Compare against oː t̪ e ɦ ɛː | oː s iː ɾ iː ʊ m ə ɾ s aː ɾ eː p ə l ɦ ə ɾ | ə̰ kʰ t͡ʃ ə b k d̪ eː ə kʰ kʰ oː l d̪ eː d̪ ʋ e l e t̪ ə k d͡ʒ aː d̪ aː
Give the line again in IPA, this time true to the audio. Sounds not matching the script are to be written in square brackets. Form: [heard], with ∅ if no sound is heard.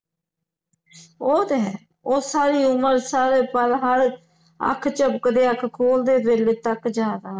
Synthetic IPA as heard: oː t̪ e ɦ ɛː | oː s [aː] ɾ iː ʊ m ə ɾ s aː ɾ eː p ə l ɦ ə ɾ | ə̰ kʰ t͡ʃ ə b k d̪ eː ə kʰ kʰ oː l d̪ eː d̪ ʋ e l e t̪ ə k d͡ʒ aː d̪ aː